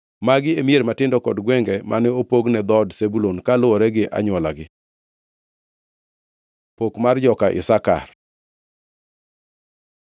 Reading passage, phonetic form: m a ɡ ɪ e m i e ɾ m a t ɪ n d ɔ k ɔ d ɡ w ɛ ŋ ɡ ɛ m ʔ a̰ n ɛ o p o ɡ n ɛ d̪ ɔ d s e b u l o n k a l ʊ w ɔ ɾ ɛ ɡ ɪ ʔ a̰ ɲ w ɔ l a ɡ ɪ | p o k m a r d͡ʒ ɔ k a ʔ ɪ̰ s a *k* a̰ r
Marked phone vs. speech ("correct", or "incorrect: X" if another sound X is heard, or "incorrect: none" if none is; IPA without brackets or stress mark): correct